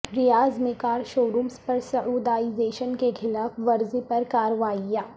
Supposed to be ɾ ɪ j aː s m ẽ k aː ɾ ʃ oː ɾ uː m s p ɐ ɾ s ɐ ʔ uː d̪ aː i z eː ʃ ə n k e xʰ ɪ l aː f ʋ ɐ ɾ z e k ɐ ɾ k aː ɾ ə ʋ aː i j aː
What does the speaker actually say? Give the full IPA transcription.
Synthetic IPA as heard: ɾ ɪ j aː z m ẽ k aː ɾ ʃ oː ɾ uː m s p ɐ ɾ s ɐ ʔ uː d̪ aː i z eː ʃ ə n k e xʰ ɪ l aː f ʋ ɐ ɾ z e p ɐ ɾ k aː ɾ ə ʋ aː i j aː